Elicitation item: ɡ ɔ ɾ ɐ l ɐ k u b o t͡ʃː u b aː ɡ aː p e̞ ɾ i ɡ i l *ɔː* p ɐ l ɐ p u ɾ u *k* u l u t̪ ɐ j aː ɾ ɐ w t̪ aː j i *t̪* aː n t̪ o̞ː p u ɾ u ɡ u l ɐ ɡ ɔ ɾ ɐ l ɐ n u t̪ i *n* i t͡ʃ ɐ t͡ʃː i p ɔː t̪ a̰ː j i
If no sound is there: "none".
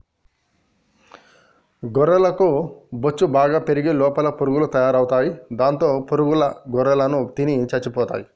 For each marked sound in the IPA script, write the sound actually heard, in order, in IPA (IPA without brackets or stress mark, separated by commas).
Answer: ɔː, ɡ, d̪, n